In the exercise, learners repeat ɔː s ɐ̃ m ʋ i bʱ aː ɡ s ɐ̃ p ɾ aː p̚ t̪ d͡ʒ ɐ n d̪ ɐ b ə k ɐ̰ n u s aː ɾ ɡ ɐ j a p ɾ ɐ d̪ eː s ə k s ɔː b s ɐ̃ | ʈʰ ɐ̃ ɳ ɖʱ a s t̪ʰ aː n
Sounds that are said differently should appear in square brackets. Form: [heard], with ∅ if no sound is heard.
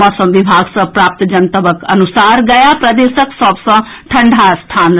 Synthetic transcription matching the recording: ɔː s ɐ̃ m ʋ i bʱ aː ɡ s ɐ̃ p ɾ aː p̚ t̪ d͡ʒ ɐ n [t̪] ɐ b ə k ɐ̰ n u s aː ɾ ɡ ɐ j a p ɾ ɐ d̪ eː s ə k s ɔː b s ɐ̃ | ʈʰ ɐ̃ ɳ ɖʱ a s t̪ʰ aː n